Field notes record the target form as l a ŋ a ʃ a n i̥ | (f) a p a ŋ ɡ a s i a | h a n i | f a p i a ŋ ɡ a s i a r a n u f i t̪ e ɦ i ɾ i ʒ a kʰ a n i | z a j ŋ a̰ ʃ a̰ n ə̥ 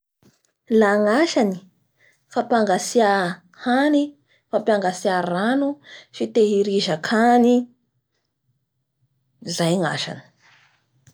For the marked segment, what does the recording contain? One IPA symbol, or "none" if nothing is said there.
f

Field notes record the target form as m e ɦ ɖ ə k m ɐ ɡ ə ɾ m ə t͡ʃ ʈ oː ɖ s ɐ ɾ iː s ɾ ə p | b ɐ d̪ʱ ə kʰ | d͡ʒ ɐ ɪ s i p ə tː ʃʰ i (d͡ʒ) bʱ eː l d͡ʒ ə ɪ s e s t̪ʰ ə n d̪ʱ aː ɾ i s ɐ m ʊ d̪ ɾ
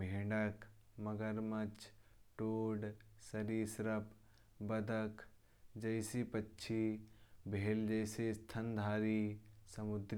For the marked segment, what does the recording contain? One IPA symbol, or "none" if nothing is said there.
none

